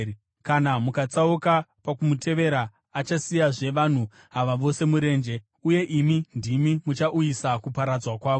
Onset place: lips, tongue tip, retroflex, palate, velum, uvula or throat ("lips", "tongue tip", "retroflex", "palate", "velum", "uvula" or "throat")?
velum